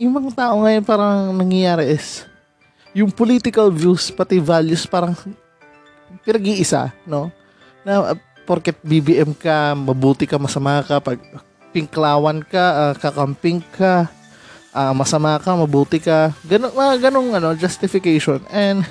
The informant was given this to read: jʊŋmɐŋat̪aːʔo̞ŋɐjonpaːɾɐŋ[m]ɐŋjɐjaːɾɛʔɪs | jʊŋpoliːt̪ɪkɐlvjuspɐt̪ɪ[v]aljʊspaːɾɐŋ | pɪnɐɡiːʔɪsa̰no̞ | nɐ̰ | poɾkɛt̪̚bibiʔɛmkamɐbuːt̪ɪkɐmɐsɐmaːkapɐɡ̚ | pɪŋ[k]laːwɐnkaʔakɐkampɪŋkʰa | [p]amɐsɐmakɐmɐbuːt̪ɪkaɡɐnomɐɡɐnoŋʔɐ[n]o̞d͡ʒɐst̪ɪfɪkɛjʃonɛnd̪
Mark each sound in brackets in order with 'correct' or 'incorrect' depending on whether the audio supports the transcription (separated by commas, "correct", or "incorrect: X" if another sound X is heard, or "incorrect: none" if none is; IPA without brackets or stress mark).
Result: incorrect: n, correct, correct, incorrect: ʔ, correct